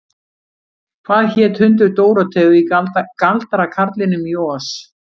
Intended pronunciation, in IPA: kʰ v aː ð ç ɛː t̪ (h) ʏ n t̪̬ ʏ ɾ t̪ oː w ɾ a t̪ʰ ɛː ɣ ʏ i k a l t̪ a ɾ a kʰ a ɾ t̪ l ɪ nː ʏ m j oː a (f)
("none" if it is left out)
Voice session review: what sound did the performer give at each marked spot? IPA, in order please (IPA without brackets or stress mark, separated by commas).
h, s